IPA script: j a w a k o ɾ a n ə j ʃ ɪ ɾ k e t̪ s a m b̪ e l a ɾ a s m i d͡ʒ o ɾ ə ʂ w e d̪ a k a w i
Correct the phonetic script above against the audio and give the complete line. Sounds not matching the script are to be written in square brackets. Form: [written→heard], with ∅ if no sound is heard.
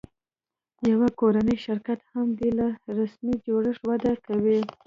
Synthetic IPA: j a w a k o ɾ a n ə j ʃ ɪ ɾ k [e→a] t̪ [s→h] a m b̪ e l a ɾ a s m i d͡ʒ o [ɾ→ɽ] ə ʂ w [e→a] d̪ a k a w i